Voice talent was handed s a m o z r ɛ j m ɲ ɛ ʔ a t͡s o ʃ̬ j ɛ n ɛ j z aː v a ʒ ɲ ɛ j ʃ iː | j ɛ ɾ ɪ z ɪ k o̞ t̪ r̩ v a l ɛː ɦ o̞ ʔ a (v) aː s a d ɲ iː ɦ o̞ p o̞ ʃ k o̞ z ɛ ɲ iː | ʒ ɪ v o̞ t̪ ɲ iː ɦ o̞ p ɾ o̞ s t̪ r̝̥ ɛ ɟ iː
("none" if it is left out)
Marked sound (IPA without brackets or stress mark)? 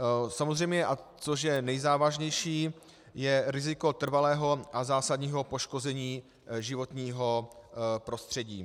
z